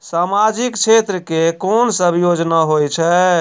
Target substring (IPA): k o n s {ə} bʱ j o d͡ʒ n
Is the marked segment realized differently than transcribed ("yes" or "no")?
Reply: no